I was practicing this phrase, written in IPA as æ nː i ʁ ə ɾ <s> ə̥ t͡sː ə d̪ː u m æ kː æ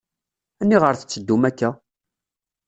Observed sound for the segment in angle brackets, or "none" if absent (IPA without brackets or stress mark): θ